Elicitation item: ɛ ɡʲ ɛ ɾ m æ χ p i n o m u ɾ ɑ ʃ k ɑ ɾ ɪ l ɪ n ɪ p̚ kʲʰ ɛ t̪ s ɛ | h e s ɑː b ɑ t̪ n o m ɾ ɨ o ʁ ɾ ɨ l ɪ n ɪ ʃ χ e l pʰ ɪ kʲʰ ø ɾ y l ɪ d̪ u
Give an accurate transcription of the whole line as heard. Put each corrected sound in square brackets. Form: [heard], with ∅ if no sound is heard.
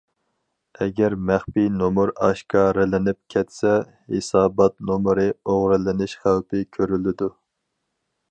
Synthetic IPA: ɛ ɡʲ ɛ ɾ m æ χ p i n o m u ɾ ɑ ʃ k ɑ ɾ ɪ l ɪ n ɪ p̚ kʲʰ ɛ t̪ s ɛ | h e s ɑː b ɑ t̪ n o m ɾ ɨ o ʁ ɾ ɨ l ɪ n ɪ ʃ χ [æ] l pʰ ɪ kʲʰ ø ɾ y l ɪ d̪ u